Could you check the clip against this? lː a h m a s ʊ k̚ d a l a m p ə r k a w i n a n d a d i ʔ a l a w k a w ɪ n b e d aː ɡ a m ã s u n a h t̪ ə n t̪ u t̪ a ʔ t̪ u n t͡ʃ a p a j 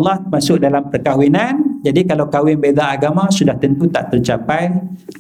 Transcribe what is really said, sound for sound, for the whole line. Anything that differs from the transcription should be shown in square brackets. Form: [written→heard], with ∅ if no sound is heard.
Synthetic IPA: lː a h m a s ʊ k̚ d a l a m p ə r k a w i n a n [d→d͡ʒ] a d i [ʔ→k] a l a w k a w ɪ n b e d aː ɡ a m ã s u [n→d] a h t̪ ə n t̪ u t̪ a ʔ t̪ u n t͡ʃ a p a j